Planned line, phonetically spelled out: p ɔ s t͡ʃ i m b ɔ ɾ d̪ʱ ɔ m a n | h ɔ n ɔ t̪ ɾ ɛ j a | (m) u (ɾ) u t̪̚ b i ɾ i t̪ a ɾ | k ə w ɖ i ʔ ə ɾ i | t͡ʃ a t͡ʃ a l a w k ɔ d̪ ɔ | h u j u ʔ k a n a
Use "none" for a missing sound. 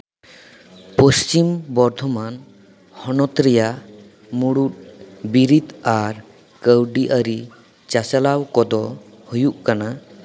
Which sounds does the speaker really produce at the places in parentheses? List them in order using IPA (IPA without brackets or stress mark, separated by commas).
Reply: m, ɽ